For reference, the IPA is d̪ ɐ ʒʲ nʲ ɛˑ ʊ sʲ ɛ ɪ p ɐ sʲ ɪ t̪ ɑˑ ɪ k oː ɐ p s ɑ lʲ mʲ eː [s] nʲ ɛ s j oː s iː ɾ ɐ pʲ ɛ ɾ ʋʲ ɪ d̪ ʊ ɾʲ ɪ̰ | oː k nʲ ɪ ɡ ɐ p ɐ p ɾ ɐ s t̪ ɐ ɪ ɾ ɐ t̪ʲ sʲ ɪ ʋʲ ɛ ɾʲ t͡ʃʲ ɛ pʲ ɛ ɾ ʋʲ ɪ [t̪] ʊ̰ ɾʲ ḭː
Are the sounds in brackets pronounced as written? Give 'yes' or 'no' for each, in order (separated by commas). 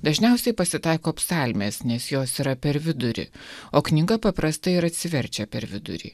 yes, no